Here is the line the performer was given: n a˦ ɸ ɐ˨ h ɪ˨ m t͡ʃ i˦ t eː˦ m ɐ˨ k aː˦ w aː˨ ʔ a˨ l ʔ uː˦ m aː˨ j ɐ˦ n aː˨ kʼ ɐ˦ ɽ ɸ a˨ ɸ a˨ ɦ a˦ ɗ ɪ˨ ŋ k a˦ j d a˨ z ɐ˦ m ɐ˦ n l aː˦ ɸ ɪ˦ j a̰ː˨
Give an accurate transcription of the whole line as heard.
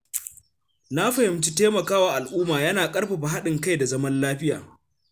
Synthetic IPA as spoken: n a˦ ɸ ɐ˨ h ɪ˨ m t͡ʃ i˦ t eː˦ m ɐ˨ k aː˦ w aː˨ ʔ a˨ l ʔ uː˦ m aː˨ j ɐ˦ n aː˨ kʼ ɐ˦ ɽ ɸ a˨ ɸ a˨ ɦ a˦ ɗ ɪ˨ ŋ k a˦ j d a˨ z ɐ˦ m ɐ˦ n l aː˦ ɸ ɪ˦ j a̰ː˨